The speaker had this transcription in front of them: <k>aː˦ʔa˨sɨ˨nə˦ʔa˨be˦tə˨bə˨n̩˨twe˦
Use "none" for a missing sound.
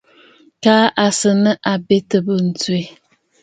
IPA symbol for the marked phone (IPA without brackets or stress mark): k